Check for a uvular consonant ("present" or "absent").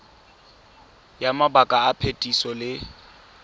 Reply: absent